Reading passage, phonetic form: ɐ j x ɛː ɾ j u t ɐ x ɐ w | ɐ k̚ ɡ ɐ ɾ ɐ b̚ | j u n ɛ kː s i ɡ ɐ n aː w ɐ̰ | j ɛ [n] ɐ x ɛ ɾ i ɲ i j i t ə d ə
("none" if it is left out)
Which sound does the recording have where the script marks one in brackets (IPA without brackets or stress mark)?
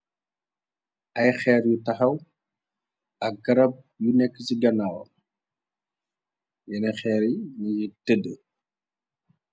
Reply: n